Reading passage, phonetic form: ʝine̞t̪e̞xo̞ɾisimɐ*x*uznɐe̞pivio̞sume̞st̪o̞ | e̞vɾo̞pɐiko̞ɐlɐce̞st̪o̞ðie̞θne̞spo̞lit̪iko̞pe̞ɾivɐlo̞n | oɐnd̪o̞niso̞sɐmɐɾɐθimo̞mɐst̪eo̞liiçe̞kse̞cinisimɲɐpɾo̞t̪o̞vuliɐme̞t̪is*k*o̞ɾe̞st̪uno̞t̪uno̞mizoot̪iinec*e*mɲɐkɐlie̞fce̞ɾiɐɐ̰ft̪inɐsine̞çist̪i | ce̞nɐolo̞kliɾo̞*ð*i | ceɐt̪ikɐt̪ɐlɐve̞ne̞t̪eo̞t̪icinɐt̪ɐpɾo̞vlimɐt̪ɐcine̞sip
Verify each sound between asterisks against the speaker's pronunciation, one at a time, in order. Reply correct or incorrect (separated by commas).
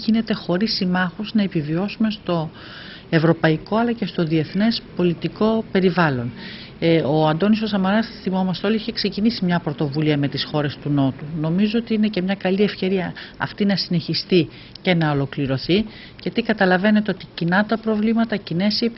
correct, incorrect, correct, incorrect